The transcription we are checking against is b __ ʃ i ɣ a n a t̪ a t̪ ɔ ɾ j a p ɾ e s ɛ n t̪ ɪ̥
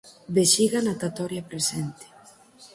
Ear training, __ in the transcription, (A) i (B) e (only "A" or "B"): B